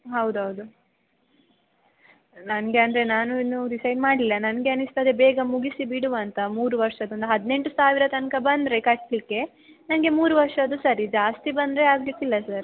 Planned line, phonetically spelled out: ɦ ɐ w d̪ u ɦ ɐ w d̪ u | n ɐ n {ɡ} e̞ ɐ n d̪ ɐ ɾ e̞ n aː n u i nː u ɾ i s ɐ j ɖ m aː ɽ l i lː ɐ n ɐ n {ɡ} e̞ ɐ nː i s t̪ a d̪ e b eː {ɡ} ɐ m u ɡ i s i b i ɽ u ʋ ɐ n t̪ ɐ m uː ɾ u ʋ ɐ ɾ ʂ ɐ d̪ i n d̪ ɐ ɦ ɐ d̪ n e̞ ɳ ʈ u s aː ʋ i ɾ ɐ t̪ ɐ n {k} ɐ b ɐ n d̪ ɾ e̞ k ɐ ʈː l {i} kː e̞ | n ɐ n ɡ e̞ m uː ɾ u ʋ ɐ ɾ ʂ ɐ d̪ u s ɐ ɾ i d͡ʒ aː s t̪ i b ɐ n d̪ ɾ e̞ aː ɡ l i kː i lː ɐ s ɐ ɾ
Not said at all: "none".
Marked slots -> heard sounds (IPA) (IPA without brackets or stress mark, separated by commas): ɡ, ɡ, ɡ, k, i